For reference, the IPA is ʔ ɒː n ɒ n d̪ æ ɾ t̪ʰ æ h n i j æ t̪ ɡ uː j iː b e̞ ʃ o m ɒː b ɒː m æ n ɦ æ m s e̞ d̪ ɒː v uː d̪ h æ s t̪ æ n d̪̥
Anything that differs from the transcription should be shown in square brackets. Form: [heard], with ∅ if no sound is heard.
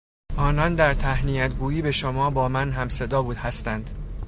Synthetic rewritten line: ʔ ɒː n ɒ n d̪ æ ɾ t̪ʰ æ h n i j æ t̪ ɡ uː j iː b e̞ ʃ o m ɒː b ɒː m æ n ɦ æ m s e̞ d̪ ɒː [b] uː d̪ h æ s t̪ æ n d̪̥